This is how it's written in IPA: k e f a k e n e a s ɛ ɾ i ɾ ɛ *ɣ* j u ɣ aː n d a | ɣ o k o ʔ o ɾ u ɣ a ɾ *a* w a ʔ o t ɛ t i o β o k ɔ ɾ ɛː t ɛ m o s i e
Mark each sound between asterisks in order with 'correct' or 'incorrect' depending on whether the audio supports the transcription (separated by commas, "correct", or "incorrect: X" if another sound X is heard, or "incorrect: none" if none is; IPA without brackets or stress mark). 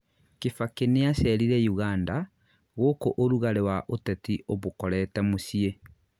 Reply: incorrect: none, incorrect: e